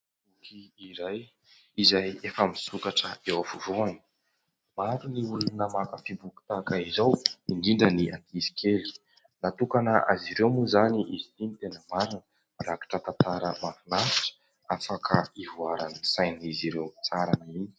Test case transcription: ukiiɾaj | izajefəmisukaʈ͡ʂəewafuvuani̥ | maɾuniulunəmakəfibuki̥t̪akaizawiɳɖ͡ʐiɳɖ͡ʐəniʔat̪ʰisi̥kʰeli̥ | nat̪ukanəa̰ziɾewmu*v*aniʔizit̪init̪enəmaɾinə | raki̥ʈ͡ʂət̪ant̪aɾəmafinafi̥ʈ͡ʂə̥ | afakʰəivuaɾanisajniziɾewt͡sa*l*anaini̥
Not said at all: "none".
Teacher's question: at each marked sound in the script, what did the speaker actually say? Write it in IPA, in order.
z, ɾ

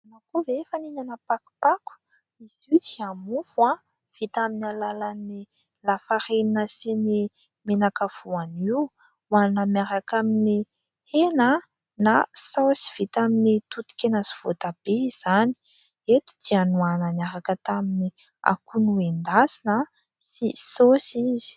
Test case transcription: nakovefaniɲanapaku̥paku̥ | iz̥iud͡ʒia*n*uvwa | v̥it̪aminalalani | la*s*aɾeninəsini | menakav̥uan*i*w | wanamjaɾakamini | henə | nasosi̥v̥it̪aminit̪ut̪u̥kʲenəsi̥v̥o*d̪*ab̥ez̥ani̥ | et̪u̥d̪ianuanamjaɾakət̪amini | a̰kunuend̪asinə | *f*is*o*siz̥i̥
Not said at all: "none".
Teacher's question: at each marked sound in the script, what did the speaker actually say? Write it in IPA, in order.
m, f, i, t̪, s, o

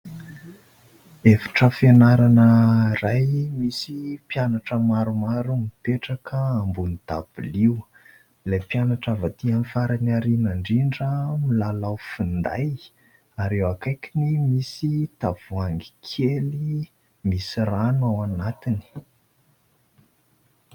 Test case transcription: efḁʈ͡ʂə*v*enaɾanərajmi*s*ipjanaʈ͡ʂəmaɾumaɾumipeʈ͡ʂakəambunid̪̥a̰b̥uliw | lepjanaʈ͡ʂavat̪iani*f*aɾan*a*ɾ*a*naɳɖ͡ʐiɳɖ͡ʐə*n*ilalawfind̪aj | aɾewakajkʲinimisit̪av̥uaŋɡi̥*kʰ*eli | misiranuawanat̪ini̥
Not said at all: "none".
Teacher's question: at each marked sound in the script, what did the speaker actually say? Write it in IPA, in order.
f, s, f, a, i, m, kʰ

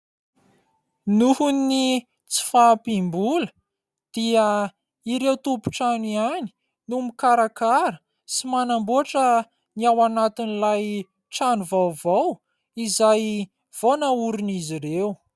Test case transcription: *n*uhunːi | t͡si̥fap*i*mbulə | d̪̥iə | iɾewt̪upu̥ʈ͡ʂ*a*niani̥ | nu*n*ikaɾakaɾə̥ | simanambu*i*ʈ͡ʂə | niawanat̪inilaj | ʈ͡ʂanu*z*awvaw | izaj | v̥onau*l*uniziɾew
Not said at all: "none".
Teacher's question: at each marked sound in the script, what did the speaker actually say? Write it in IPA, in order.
n, i, a, m, a, v, ɾ

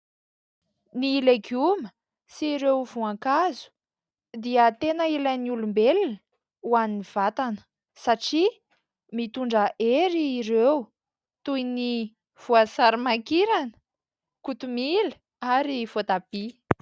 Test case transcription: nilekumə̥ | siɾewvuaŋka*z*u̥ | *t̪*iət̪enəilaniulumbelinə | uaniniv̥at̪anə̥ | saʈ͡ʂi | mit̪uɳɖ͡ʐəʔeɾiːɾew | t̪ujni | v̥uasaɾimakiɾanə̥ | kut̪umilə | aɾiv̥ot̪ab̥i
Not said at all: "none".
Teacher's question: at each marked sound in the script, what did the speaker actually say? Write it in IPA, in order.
z, d̪

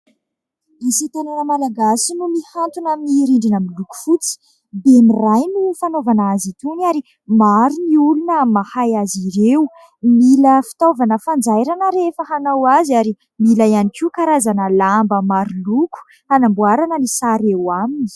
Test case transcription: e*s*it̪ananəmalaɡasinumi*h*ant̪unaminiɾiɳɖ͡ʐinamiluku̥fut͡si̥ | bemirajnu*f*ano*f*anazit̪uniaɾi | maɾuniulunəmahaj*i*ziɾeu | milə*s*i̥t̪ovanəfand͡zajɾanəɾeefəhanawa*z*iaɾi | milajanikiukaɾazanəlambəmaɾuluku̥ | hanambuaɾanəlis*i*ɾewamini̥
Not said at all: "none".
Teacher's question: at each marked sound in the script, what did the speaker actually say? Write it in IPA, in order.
s, h, f, v, a, f, z, a

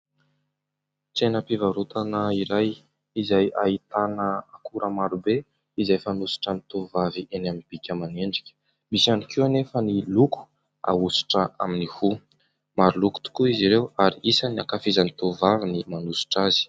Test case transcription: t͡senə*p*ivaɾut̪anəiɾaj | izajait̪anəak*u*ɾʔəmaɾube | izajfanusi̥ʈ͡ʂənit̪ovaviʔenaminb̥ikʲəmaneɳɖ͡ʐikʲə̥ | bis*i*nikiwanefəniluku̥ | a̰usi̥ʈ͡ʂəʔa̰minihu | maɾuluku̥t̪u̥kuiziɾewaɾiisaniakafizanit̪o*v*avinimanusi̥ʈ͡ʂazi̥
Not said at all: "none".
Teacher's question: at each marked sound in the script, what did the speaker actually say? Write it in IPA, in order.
p, u, a, v

